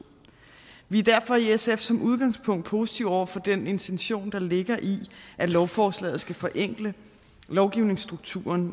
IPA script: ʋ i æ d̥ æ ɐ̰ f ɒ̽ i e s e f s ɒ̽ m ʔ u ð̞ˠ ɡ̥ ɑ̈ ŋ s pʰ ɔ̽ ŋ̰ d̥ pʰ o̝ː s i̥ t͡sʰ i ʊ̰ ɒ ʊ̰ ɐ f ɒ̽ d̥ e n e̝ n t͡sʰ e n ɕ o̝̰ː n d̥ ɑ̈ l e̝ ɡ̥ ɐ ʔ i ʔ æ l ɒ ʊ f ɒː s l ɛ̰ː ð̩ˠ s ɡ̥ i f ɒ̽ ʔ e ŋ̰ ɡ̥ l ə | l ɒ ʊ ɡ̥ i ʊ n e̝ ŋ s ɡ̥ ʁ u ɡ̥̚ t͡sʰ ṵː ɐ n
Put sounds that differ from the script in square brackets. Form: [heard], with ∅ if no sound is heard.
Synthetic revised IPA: ʋ i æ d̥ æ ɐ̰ f ɒ̽ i e s e f s ɒ̽ m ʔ u ð̞ˠ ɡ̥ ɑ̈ ŋ s pʰ ɔ̽ ŋ̰ d̥ pʰ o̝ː s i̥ t͡sʰ i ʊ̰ ɒ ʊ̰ ɐ f ɒ̽ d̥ e n e̝ n t͡sʰ e n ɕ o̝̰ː n d̥ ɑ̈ l e̝ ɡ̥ ɐ ʔ i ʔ æ l ɒ ʊ f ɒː s l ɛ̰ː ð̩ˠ s ɡ̥ [æ] f ɒ̽ ʔ e ŋ̰ ɡ̥ l ə | l ɒ ʊ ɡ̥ i ʊ n e̝ ŋ s [d̥] ʁ u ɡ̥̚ t͡sʰ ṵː ɐ n